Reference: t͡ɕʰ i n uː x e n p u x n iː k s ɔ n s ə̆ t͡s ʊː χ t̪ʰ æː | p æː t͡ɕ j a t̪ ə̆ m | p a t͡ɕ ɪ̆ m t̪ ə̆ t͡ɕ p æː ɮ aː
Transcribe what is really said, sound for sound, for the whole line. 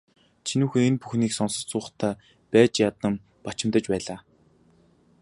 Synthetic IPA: t͡ɕʰ i n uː x e n p u x n iː k s ɔ n s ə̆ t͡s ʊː χ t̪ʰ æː | p æː t͡ɕ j a t̪ ə̆ m | p a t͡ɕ ɪ̆ m t̪ ə̆ t͡ɕ p æː ɮ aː